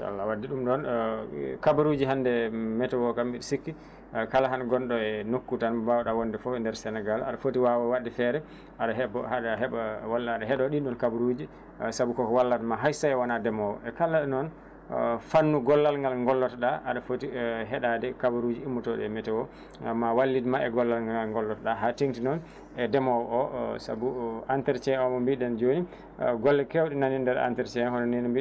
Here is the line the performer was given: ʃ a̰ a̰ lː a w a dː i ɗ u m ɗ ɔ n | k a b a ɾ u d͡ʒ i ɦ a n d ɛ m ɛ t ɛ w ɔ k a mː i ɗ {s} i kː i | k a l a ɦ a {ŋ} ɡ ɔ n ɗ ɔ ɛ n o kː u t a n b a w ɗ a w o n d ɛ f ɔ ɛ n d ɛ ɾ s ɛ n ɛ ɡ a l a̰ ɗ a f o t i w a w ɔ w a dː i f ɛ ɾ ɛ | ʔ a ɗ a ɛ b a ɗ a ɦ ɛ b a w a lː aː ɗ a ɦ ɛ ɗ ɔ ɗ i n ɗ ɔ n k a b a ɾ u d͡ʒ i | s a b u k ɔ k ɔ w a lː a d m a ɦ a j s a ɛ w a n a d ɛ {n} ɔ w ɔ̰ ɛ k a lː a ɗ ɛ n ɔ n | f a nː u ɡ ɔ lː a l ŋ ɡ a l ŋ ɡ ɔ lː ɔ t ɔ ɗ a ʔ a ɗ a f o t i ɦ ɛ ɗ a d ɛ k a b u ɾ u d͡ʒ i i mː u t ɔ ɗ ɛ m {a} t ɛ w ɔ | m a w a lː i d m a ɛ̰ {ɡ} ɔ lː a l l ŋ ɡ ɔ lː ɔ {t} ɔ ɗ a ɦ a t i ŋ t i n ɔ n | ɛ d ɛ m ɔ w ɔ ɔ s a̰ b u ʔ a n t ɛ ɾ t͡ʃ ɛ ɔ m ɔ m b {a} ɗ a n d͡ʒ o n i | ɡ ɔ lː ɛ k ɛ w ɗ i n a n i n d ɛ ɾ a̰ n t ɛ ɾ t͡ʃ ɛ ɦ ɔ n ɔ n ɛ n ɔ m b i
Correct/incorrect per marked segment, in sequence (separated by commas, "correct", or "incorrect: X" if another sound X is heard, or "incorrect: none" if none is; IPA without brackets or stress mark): correct, incorrect: n, incorrect: m, incorrect: ɛ, correct, correct, incorrect: i